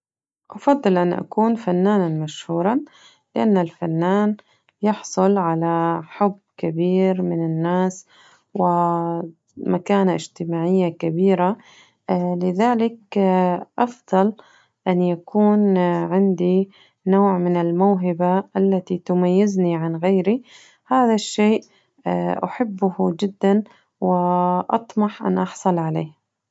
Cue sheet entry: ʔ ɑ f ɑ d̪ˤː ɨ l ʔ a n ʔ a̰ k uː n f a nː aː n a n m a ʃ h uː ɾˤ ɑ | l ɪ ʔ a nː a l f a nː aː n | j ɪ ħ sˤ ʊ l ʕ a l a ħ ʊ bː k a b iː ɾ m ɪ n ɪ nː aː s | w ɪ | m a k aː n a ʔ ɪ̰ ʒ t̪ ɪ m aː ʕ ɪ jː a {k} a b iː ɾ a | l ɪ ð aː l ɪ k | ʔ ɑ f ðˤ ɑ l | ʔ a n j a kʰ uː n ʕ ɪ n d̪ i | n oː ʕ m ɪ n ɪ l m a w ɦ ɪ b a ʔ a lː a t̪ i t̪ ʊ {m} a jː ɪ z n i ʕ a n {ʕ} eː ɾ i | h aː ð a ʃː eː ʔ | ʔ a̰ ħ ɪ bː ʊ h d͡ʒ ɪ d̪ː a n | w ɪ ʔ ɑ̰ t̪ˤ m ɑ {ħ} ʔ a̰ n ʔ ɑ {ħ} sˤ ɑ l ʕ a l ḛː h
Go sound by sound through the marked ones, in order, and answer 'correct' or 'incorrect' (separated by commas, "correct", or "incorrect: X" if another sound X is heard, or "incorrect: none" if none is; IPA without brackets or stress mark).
correct, correct, incorrect: ɣ, correct, correct